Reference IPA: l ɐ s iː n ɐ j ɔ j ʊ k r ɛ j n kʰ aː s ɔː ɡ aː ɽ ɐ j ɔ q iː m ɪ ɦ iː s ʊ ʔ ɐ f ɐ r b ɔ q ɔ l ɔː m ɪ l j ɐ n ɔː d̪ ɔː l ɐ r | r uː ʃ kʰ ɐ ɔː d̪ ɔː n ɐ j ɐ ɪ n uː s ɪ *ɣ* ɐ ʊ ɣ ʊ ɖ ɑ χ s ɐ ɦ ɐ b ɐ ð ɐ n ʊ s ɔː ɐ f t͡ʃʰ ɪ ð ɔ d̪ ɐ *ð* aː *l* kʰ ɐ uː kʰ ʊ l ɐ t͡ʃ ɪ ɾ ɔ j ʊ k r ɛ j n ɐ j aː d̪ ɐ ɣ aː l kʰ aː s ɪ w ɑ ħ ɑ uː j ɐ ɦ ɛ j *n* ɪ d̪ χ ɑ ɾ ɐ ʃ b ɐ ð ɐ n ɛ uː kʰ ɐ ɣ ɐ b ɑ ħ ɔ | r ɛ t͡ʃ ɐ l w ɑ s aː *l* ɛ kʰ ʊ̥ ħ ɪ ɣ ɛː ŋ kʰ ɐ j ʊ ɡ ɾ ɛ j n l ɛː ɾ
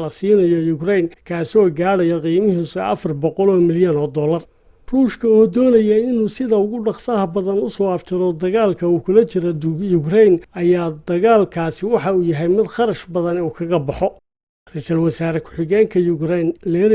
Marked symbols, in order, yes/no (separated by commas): no, no, yes, no, no